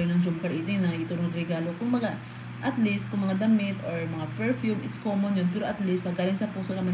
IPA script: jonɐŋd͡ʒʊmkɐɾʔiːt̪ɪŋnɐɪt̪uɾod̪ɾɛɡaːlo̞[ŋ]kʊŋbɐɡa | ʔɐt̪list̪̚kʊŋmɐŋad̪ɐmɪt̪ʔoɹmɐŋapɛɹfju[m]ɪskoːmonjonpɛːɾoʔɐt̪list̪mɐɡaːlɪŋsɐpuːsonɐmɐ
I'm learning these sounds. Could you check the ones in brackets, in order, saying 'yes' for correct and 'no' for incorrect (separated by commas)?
no, yes